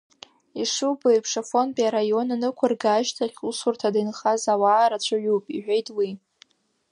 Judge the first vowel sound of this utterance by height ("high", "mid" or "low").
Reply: high